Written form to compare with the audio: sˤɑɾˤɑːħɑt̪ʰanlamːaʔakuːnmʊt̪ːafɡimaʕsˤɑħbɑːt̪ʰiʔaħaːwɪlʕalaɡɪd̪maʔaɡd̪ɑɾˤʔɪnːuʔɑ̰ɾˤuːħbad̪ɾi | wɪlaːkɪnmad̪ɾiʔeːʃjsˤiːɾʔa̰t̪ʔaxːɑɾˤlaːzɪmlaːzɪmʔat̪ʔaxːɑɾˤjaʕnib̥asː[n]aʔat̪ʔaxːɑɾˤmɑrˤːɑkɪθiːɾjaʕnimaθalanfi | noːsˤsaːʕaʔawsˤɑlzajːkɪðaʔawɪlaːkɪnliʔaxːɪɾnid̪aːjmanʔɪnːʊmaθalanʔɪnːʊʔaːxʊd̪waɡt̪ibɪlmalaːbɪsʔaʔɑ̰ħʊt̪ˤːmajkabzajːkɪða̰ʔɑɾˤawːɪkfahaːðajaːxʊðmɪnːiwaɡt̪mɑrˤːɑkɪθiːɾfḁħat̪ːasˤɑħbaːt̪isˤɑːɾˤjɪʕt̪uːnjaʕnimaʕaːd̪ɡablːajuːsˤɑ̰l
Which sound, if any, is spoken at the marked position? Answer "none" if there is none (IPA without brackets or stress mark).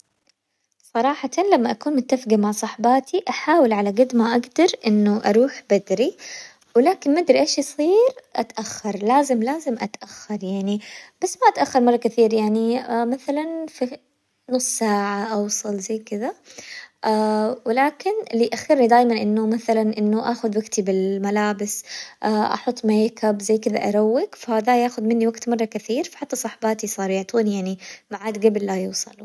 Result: m